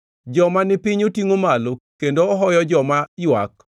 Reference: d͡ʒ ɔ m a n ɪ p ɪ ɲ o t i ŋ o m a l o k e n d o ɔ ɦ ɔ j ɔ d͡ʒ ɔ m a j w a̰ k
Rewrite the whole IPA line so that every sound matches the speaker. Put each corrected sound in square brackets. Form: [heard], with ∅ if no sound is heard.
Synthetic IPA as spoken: d͡ʒ ɔ m a n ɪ p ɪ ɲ o t i ŋ o m a l o k e n d o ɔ ɦ ɔ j ɔ d͡ʒ ɔ m a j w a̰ k